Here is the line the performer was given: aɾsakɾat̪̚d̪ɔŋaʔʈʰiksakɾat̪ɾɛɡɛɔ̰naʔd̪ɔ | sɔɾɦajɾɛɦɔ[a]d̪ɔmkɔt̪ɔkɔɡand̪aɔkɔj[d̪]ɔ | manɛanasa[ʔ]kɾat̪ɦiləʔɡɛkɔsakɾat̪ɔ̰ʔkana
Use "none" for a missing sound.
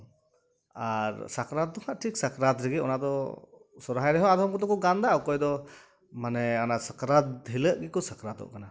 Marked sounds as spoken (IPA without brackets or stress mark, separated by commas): a, d̪, none